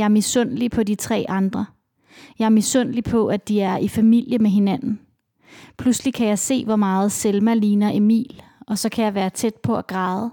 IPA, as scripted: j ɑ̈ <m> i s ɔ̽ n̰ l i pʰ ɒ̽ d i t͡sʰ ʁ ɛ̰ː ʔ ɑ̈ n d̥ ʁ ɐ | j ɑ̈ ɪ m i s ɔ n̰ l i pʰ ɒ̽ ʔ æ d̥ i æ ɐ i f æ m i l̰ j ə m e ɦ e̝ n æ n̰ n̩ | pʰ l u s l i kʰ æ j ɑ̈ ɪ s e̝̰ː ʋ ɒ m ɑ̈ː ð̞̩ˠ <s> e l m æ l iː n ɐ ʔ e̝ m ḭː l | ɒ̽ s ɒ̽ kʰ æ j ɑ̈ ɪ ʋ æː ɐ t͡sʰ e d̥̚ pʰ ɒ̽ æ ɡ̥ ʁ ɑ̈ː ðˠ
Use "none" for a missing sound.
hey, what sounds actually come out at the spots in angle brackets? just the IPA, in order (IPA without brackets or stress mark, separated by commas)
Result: m, s